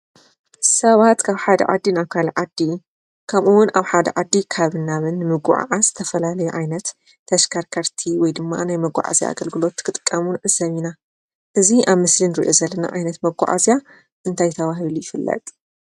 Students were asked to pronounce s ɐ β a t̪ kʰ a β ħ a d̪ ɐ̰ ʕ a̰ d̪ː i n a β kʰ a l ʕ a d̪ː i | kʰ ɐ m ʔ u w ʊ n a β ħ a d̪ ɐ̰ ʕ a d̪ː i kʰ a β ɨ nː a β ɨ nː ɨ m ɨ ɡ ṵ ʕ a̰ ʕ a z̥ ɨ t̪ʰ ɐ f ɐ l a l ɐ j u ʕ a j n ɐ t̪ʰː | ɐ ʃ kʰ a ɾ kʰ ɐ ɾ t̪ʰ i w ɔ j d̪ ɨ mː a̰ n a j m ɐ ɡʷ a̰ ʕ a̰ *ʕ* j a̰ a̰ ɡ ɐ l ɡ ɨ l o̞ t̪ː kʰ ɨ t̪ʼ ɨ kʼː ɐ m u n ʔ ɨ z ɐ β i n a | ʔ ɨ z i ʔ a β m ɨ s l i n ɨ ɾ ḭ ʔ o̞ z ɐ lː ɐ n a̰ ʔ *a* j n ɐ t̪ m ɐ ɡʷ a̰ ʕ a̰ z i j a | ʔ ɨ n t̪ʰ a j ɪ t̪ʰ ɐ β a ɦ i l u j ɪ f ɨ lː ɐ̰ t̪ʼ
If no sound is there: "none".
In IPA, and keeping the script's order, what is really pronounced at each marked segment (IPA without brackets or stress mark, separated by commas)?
z, a